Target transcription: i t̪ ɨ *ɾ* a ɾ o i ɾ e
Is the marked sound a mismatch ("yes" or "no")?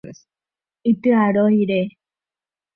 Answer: yes